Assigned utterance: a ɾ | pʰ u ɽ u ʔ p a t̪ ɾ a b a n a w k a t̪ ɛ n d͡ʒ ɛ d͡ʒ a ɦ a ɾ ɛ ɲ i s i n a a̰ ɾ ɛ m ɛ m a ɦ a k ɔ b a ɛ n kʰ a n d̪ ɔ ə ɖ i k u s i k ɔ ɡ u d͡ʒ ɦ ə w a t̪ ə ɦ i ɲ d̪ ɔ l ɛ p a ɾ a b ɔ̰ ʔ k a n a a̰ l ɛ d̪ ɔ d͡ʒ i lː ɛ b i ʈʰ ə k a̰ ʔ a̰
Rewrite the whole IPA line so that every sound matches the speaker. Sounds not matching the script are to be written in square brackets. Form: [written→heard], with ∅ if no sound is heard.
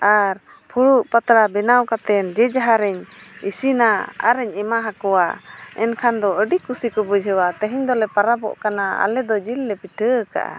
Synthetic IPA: a ɾ | pʰ u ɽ u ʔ p a t̪ ɾ a b [a→ɛ] n a w k a t̪ ɛ n d͡ʒ ɛ d͡ʒ a ɦ a ɾ ɛ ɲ i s i n a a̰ ɾ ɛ [m→ɲ] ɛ m a ɦ a k ɔ [b→w] a ɛ n kʰ a n d̪ ɔ ə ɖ i k u s i k ɔ [ɡ→b] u d͡ʒ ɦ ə w a t̪ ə ɦ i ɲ d̪ ɔ l ɛ p a ɾ a b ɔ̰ ʔ k a n a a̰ l ɛ d̪ ɔ d͡ʒ i lː ɛ [b→p] i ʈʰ ə k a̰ ʔ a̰